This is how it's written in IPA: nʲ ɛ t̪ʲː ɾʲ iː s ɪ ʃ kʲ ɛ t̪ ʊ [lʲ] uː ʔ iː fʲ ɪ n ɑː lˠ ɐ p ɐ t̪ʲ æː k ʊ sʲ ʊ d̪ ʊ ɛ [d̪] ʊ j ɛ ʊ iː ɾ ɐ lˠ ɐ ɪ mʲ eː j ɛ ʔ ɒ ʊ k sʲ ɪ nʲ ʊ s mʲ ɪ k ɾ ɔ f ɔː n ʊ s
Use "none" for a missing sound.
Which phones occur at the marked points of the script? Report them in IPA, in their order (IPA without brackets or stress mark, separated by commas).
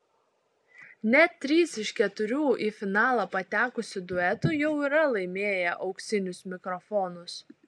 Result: ɾʲ, t̪